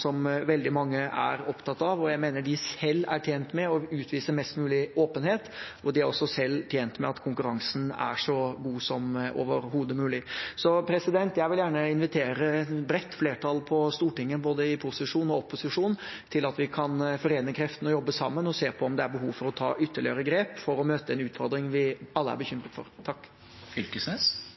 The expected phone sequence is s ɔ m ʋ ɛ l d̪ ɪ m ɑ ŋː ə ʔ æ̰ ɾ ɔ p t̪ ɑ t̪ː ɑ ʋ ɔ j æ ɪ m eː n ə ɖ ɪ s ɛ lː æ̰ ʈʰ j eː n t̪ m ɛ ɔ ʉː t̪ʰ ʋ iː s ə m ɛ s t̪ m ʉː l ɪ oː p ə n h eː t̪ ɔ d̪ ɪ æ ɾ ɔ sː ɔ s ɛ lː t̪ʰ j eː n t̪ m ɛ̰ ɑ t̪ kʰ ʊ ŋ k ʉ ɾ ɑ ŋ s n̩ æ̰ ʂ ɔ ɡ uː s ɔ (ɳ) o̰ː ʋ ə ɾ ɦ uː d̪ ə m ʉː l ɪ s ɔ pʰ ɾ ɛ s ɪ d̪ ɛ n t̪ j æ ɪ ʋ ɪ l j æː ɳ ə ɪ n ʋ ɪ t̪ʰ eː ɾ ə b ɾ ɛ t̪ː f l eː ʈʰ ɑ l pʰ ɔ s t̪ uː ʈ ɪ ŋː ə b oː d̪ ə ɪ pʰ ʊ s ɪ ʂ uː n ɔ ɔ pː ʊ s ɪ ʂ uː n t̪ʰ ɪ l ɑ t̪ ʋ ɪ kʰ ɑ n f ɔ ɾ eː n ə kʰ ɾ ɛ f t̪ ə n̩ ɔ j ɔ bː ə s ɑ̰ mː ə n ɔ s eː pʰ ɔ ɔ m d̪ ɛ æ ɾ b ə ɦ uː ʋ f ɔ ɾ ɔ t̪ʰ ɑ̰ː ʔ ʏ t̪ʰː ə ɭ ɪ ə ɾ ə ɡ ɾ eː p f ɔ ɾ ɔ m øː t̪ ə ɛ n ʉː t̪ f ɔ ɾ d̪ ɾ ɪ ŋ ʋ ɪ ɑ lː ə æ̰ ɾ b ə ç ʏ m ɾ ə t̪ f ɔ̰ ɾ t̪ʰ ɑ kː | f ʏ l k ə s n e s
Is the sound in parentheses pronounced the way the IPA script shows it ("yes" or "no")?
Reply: no